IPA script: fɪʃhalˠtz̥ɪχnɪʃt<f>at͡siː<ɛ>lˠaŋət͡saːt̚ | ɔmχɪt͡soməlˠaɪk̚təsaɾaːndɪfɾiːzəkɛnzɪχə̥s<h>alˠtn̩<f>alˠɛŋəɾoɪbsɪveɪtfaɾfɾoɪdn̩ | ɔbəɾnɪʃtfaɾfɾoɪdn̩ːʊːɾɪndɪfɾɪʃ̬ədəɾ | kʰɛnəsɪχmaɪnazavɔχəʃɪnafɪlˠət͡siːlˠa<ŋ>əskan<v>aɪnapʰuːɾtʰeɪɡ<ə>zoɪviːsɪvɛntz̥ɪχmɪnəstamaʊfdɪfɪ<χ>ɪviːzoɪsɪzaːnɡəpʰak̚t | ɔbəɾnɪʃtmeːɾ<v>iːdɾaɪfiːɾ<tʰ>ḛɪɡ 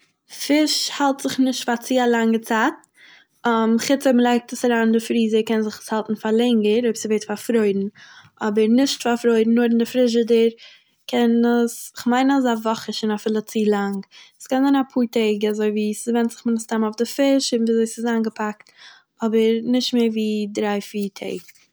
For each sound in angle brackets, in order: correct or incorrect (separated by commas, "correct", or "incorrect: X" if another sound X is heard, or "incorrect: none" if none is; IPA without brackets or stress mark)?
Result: correct, incorrect: a, correct, correct, correct, incorrect: z, incorrect: a, incorrect: ʃ, correct, correct